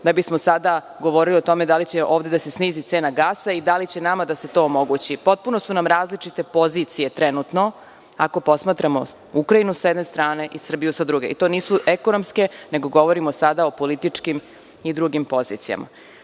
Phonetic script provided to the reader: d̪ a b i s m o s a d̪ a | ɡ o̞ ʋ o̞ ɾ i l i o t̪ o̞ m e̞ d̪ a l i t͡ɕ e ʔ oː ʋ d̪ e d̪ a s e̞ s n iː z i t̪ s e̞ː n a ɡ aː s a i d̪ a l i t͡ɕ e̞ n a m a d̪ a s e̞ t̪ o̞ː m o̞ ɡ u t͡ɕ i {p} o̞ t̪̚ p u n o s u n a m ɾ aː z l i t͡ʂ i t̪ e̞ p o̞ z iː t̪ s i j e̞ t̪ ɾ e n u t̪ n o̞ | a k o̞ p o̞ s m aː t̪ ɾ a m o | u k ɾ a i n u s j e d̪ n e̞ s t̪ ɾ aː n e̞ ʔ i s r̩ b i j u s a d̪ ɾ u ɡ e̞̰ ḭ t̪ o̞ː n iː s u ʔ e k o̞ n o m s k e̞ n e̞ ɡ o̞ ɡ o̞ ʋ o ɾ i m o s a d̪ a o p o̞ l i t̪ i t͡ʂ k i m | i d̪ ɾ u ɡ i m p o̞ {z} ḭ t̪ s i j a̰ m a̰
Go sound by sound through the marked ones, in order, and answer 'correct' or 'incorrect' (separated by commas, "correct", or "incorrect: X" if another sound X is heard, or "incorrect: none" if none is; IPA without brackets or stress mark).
correct, correct